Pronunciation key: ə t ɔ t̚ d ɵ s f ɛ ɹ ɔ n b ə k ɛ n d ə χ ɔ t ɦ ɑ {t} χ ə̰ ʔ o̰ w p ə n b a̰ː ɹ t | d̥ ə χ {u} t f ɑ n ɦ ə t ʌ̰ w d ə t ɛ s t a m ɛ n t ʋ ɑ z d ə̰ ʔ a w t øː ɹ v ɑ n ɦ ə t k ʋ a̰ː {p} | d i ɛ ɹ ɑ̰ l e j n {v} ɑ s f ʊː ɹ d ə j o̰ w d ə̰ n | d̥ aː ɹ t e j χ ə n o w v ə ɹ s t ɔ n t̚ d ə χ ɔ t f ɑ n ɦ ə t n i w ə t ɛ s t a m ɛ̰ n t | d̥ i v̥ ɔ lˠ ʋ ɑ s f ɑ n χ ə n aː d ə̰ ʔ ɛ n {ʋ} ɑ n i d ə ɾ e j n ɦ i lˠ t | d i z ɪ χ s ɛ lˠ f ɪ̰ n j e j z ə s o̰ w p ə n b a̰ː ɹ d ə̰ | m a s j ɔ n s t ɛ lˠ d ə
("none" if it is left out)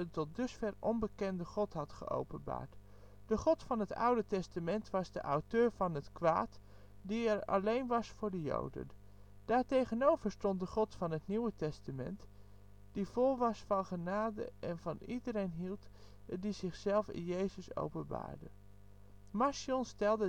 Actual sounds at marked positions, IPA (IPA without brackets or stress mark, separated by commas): t, ɔ, t, ʋ, v